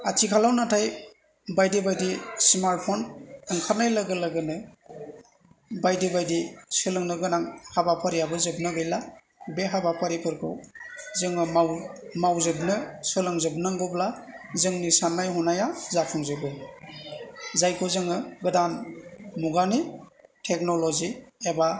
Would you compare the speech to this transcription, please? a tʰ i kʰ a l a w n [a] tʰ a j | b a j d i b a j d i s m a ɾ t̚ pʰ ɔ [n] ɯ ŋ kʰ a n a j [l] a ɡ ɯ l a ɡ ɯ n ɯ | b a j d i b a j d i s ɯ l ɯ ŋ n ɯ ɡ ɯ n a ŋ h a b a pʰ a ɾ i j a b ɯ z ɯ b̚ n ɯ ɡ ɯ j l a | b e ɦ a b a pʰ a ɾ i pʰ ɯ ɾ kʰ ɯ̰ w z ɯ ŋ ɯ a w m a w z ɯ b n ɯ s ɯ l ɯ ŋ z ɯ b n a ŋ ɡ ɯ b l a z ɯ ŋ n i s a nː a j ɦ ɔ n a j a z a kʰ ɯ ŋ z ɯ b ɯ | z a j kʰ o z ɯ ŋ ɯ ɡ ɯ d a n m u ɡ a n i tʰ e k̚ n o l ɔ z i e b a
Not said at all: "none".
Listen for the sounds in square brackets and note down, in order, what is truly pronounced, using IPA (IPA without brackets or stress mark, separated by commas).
a, n, l